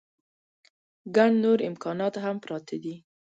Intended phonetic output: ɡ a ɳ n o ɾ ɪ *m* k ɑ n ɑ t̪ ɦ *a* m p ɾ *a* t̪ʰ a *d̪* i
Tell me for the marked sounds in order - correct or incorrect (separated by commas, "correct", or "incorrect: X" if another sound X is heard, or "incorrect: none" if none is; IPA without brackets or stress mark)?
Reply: correct, correct, incorrect: ɑ, correct